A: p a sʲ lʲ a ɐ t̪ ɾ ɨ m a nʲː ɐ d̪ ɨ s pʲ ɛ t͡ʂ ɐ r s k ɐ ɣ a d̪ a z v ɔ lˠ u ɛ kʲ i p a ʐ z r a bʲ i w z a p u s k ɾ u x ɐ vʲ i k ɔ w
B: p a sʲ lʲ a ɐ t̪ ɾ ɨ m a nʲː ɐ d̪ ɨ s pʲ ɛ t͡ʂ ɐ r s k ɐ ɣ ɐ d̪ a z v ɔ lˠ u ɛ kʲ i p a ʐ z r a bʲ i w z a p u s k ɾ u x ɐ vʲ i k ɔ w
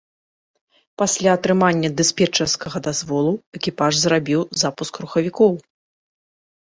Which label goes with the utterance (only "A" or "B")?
B